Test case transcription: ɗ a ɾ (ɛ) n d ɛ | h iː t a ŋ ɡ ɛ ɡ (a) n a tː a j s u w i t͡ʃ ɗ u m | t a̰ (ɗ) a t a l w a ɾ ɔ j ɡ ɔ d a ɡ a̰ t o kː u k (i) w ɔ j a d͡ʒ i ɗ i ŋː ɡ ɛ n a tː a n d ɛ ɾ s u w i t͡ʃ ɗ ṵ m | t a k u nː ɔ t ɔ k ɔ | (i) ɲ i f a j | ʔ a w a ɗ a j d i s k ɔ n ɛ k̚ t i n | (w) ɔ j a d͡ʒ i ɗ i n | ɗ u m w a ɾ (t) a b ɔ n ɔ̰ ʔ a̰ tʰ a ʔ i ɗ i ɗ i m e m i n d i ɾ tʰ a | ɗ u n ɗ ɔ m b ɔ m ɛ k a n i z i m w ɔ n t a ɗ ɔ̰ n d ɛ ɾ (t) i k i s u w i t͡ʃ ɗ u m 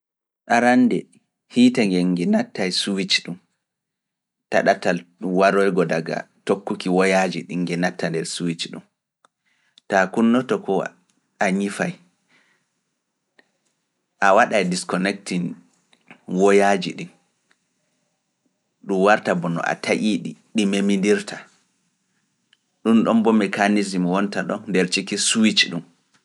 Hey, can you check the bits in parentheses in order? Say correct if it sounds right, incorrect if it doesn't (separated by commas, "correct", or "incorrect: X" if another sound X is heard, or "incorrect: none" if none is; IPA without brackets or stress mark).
incorrect: a, incorrect: ɛ, correct, correct, incorrect: a, correct, correct, incorrect: t͡ʃ